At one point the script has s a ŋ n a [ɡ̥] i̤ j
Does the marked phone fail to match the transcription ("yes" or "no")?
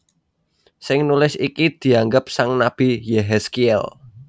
yes